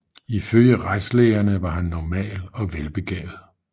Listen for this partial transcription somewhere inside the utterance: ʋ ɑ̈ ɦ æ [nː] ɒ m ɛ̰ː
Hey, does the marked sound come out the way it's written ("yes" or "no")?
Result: yes